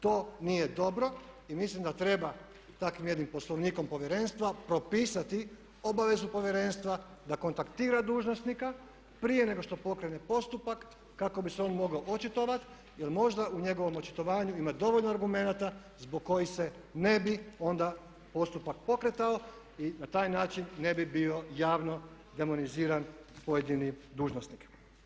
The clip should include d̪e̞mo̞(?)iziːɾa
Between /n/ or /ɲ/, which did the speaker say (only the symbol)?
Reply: n